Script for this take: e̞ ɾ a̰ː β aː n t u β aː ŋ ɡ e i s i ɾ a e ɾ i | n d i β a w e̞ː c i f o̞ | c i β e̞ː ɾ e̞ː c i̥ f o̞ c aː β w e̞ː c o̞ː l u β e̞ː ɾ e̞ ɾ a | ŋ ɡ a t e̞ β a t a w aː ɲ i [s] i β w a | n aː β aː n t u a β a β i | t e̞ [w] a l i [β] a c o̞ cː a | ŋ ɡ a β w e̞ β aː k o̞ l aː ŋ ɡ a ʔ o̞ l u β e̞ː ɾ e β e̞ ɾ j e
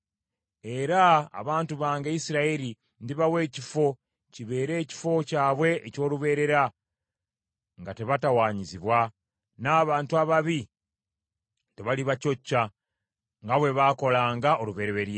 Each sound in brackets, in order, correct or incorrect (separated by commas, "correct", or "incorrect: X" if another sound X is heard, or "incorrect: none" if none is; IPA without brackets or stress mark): incorrect: z, incorrect: β, correct